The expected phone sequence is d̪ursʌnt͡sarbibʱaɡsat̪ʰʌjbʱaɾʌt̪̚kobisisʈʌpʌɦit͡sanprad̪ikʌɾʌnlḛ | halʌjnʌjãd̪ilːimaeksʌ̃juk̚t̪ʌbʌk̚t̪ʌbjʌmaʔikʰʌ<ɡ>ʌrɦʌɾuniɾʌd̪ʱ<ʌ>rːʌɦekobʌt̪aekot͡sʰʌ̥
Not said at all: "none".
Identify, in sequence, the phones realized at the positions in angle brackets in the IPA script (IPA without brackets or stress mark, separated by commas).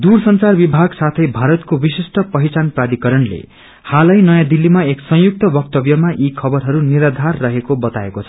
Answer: b, a